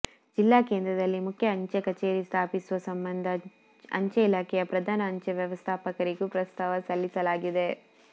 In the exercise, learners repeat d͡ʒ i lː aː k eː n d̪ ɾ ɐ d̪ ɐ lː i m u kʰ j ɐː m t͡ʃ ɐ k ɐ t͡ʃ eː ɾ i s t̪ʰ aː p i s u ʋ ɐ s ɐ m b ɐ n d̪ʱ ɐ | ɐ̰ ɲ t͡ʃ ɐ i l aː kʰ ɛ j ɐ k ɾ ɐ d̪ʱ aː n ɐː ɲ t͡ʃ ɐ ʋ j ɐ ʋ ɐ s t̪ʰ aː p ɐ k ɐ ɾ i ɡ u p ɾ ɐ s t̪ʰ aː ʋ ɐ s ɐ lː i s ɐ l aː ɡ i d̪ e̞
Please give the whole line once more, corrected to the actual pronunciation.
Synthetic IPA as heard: d͡ʒ i lː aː k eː n d̪ ɾ ɐ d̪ ɐ lː i m u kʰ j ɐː ɲ t͡ʃ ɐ k ɐ t͡ʃ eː ɾ i s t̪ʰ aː p i s u ʋ ɐ s ɐ m b ɐ n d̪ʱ ɐ | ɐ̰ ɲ t͡ʃ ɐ i l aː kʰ ɛ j ɐ p ɾ ɐ d̪ʱ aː n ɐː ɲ t͡ʃ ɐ ʋ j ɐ ʋ ɐ s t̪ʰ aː p ɐ k ɐ ɾ i ɡ u p ɾ ɐ s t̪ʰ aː ʋ ɐ s ɐ lː i s ɐ l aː ɡ i d̪ e̞